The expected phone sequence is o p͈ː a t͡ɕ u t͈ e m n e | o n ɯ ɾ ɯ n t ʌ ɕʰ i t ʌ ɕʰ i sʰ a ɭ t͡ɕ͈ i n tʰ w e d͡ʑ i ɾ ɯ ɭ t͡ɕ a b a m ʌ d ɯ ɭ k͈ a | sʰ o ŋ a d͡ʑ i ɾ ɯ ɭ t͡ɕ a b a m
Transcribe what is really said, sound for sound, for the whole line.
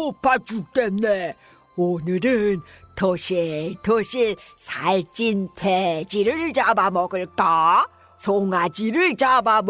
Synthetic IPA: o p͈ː a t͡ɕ u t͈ e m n e | o n ɯ ɾ ɯ n t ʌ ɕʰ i t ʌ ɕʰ i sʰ a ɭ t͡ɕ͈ i n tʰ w e d͡ʑ i ɾ ɯ ɭ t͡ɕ a b a m ʌ ɡ ɯ ɭ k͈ a | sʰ o ŋ a d͡ʑ i ɾ ɯ ɭ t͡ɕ a b a m